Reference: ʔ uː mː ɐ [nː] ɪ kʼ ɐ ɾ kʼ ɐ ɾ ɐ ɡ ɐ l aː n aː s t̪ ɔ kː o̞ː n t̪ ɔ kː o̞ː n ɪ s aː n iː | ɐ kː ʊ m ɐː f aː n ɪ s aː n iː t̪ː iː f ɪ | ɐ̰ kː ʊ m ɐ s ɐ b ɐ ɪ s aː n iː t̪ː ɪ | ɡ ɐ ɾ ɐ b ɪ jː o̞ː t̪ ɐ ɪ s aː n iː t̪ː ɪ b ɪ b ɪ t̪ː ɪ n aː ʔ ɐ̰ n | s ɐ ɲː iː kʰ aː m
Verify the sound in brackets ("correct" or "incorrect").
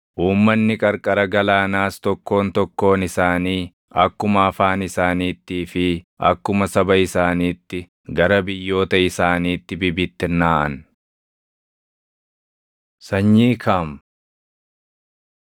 correct